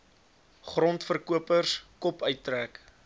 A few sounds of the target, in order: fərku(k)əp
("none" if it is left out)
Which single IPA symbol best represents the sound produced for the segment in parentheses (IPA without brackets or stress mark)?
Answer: none